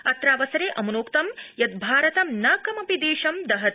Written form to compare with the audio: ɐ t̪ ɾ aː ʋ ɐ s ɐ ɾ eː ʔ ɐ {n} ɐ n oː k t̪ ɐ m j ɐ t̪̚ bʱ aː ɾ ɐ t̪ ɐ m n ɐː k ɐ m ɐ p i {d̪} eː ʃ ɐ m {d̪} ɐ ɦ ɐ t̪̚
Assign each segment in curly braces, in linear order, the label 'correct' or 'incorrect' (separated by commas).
incorrect, correct, correct